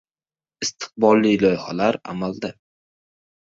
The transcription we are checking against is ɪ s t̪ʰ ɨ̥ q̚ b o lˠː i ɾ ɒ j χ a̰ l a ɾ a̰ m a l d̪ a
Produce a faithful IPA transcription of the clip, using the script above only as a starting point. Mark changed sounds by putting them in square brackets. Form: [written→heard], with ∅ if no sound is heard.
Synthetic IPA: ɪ s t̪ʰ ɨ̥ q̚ b [o→ɒ] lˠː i [ɾ→l] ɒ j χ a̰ l a ɾ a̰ m a l d̪ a